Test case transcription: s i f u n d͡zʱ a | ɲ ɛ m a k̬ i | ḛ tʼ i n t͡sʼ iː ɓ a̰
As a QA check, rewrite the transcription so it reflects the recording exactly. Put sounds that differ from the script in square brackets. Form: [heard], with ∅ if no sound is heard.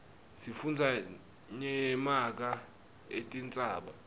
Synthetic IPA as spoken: s i f u n d͡zʱ a | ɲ ɛ m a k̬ [a] | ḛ tʼ i n t͡sʼ [aː] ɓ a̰